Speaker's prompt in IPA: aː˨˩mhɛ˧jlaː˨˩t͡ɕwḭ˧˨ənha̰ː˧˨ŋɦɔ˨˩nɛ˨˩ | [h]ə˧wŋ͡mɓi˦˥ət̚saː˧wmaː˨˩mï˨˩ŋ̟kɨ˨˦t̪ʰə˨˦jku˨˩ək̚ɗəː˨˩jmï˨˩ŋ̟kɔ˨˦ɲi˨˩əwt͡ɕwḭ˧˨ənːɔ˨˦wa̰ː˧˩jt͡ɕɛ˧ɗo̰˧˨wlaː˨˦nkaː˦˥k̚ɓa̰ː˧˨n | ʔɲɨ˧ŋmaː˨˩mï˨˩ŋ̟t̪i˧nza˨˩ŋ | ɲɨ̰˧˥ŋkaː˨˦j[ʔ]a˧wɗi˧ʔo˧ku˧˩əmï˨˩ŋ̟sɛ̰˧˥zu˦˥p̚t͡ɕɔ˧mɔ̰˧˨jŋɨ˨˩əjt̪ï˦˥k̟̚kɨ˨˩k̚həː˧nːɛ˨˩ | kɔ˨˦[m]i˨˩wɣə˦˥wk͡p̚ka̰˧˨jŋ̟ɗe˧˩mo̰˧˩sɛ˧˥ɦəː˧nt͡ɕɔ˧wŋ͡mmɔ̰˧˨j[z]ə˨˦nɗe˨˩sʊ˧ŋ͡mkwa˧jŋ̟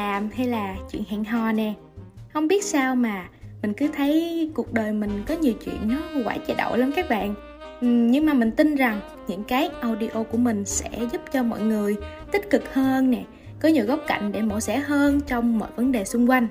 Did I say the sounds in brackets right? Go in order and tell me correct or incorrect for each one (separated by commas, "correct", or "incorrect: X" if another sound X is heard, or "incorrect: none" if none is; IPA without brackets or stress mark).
correct, correct, incorrect: ɲ, incorrect: v